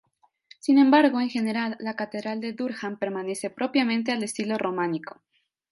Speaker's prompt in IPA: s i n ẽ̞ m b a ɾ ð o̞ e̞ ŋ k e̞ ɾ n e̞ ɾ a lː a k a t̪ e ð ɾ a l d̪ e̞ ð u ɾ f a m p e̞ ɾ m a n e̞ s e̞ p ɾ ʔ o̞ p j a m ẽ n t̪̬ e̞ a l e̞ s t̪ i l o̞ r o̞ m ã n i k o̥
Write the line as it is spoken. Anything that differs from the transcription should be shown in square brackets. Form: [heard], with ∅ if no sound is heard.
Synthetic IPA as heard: s i n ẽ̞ m b a ɾ [ɣ] o̞ e̞ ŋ [x] e̞ [∅] n e̞ ɾ a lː a k a t̪ e ð ɾ a l d̪ e̞ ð u ɾ [x] a m p e̞ ɾ m a n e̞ s e̞ p ɾ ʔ o̞ p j a m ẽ n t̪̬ e̞ a l e̞ s t̪ i l o̞ r o̞ m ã n i k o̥